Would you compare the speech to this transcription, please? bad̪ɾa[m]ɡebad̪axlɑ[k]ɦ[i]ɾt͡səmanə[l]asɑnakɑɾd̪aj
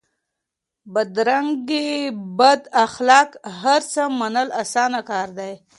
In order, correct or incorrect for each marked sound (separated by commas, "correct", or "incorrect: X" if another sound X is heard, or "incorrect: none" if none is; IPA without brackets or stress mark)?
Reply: incorrect: ŋ, correct, incorrect: a, correct